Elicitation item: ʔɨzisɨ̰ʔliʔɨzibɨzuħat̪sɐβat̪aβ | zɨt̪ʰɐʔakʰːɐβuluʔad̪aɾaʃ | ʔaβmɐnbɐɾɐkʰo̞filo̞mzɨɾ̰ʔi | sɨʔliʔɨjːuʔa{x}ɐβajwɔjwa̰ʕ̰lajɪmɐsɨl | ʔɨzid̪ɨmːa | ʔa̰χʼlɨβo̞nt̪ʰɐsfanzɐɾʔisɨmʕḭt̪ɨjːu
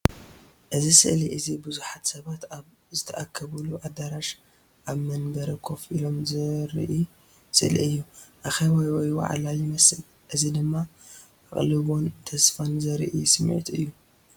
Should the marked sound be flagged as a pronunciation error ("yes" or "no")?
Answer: no